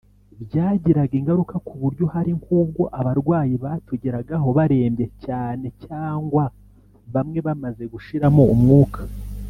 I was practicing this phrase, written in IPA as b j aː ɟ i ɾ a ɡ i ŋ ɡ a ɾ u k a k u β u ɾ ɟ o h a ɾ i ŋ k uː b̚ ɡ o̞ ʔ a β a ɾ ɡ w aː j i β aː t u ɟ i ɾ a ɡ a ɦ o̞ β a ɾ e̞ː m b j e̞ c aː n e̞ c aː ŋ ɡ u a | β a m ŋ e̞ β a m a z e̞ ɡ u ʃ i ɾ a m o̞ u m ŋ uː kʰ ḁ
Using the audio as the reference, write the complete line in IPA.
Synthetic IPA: b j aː ɟ i ɾ a ɡ i ŋ ɡ a ɾ u k a k u β u ɾ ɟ o h a ɾ i ŋ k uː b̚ ɡ o̞ ʔ a β a ɾ ɡ w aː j i β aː t u ɟ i ɾ a ɡ a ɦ o̞ β a ɾ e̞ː m b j e̞ c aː n e̞ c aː ŋ ɡ w a | β a m ŋ e̞ β a m a z e̞ ɡ u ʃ i ɾ a m o̞ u m ŋ uː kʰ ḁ